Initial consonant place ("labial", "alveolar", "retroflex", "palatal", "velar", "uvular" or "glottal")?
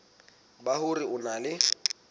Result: labial